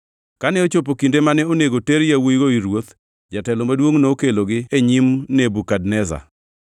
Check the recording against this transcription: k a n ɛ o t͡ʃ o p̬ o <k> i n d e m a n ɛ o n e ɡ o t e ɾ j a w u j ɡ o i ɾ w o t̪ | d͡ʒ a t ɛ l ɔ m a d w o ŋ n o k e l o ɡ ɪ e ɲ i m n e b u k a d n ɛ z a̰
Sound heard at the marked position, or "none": k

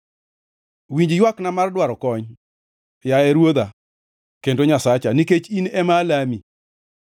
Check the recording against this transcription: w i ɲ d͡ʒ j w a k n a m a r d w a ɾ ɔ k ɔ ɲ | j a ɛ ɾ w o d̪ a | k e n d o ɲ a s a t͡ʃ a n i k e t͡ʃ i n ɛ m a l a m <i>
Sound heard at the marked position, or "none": i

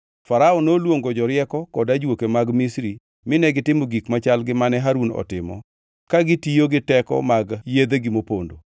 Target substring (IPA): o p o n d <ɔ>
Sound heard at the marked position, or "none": o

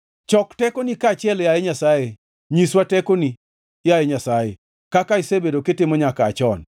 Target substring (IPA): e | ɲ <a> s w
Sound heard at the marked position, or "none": i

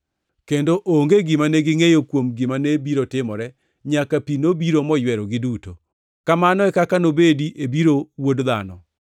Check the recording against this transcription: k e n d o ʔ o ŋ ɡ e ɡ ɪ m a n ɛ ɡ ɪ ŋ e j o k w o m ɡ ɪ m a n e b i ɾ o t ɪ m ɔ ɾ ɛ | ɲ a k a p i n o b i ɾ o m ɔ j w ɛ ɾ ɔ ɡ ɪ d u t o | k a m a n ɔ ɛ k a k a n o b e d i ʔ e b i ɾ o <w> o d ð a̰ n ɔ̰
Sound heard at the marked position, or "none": w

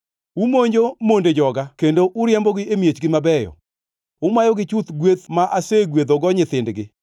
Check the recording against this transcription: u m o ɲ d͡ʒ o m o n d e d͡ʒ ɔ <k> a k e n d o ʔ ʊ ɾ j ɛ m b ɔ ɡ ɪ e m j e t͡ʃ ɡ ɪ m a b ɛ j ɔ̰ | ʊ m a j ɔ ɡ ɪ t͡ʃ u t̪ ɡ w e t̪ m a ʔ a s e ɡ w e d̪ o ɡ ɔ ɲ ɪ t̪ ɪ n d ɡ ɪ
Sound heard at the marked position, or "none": ɡ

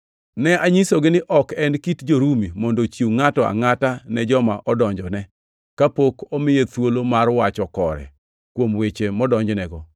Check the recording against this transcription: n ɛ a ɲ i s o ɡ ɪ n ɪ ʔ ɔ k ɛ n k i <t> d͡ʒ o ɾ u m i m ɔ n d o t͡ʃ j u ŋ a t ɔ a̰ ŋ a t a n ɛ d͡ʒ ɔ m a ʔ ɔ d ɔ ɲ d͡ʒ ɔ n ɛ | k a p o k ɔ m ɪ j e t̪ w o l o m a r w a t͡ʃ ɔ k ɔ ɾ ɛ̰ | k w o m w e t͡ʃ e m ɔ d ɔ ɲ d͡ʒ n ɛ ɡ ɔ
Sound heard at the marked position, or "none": t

